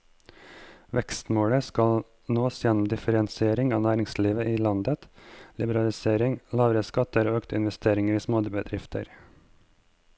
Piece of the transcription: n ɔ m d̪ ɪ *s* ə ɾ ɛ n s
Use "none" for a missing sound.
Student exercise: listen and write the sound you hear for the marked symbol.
f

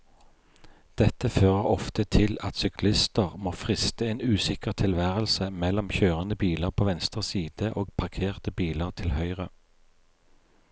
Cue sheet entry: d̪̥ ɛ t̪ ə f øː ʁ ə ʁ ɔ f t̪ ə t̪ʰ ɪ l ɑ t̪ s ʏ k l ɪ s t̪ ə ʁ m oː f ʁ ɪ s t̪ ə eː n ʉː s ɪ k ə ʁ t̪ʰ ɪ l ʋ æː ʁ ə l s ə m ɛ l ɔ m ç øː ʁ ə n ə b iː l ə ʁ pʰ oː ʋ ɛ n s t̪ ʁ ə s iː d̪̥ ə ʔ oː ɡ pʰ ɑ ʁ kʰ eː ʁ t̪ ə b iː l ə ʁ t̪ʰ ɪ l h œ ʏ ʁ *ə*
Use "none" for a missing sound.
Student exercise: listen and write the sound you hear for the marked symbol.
ə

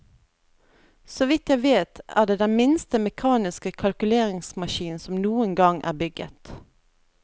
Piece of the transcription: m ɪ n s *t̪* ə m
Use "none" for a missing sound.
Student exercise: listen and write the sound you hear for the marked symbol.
t̪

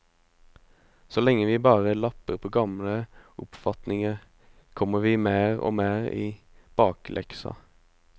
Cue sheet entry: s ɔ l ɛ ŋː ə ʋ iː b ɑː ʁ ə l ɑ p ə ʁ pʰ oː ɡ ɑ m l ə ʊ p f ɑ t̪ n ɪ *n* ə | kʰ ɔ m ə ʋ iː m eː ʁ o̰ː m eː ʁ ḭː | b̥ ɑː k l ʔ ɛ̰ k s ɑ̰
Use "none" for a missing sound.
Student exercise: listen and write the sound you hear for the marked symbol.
ŋ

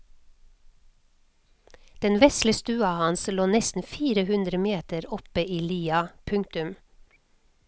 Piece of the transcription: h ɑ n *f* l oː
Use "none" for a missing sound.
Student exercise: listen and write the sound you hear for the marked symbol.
s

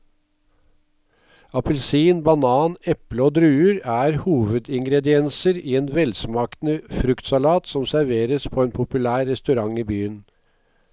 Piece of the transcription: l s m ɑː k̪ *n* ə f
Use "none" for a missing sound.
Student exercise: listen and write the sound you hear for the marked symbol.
n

